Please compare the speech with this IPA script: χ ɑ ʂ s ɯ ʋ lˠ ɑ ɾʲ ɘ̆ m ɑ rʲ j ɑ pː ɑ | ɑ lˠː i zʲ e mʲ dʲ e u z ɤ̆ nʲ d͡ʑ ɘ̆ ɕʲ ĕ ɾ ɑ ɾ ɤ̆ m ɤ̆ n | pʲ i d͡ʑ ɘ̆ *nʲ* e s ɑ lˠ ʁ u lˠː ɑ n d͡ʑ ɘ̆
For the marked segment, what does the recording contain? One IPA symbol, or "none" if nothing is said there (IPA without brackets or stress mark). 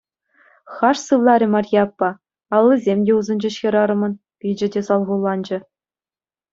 dʲ